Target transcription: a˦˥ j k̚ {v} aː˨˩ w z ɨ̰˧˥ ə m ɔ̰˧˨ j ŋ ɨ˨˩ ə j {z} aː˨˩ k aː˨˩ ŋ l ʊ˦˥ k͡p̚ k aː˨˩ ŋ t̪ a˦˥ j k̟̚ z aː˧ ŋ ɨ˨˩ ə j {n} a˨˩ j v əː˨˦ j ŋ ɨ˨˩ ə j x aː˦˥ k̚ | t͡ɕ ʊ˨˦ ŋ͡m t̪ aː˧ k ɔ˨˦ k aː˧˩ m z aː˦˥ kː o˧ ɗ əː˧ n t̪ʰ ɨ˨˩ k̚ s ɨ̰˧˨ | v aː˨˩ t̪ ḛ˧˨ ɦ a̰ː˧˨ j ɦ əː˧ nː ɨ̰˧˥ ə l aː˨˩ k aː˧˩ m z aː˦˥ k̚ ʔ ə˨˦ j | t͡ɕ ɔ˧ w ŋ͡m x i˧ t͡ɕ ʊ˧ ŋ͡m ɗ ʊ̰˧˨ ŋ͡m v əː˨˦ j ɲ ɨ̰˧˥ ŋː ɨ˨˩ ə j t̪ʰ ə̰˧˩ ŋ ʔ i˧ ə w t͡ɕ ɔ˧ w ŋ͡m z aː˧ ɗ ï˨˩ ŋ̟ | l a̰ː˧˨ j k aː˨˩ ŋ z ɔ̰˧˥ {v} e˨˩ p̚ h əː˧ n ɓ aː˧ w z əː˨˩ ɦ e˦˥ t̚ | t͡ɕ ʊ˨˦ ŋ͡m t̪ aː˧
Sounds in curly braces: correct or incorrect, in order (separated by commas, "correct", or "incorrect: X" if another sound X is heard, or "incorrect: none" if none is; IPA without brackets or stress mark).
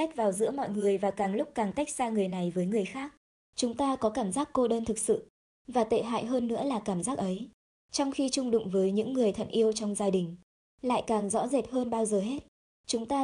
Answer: correct, incorrect: v, correct, incorrect: z